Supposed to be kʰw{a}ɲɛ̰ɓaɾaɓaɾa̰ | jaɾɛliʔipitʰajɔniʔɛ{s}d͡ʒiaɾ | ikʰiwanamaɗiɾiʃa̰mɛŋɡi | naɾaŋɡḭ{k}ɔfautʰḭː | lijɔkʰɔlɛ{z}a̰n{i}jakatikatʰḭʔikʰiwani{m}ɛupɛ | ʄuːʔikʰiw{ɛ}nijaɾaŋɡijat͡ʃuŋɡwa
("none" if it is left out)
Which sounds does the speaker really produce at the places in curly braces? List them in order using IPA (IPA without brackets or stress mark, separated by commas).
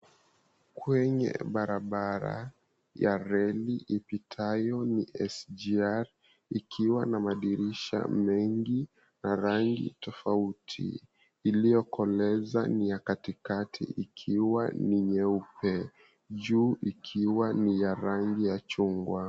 ɛ, s, t, z, i, ɲ, a